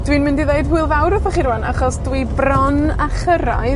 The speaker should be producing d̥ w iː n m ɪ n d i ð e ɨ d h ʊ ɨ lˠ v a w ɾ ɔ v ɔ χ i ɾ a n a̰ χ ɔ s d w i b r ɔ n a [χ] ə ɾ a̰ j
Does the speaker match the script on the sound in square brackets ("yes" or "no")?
yes